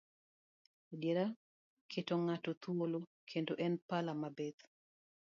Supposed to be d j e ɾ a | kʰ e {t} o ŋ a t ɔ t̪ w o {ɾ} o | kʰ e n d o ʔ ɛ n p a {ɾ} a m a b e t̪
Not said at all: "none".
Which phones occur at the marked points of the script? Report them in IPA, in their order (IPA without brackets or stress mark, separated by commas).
t, l, l